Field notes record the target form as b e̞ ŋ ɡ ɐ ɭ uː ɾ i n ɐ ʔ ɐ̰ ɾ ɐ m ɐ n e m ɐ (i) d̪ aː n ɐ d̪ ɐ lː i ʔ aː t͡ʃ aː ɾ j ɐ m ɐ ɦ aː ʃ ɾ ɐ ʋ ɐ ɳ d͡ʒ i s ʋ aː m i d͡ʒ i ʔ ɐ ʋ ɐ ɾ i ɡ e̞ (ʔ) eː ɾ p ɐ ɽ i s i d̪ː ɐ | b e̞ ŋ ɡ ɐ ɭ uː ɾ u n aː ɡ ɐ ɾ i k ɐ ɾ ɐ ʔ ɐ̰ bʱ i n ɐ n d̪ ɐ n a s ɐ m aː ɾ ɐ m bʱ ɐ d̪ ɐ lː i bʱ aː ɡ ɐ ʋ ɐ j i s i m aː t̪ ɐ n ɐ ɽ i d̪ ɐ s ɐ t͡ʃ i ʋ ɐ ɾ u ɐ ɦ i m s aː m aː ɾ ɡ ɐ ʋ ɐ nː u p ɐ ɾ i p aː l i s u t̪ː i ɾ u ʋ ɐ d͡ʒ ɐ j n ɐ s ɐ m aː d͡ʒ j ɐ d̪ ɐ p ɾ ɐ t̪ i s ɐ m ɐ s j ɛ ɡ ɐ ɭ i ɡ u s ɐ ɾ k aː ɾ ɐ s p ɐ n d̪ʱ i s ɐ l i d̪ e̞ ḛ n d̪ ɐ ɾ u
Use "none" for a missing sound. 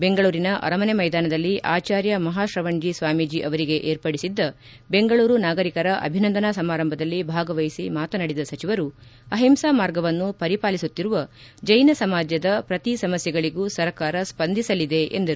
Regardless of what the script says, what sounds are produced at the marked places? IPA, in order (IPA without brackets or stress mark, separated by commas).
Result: j, ʔ